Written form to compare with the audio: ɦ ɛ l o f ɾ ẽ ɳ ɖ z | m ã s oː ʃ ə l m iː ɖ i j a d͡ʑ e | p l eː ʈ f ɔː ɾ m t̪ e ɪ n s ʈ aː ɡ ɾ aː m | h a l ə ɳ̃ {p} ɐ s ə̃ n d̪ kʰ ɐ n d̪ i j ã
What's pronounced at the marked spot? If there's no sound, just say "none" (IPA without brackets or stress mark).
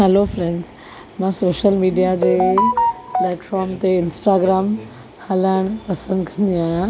p